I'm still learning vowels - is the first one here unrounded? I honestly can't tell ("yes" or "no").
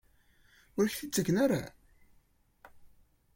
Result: no